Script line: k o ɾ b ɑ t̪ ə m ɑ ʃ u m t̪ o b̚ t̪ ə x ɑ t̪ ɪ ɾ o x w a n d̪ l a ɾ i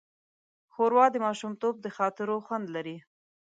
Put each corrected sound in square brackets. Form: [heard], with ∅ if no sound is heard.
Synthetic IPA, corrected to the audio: [x] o ɾ [w] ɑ [d̪] ə m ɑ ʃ u m t̪ o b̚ [d̪] ə x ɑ t̪ ɪ ɾ o x w a n d̪ l a ɾ i